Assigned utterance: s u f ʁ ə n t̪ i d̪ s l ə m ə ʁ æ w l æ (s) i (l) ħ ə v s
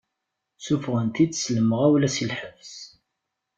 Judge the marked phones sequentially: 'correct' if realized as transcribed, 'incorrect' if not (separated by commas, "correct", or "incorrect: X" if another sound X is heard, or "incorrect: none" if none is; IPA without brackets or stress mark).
correct, correct